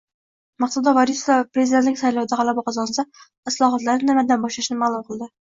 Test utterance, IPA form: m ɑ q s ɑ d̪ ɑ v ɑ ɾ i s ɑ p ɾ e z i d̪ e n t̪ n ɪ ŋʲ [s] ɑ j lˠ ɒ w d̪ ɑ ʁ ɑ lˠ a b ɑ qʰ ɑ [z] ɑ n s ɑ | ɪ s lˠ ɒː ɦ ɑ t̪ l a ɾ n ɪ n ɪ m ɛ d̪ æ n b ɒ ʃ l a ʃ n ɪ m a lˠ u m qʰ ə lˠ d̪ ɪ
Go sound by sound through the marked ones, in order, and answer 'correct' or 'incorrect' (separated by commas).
correct, correct